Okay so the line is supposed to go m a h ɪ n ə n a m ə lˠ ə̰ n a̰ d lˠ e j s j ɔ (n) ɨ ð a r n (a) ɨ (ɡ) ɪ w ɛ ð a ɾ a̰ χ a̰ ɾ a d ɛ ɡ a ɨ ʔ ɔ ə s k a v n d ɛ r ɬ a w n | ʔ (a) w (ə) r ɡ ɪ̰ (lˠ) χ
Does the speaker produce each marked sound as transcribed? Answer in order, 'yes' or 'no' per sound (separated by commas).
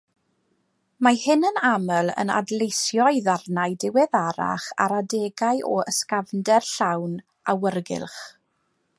no, yes, no, yes, yes, yes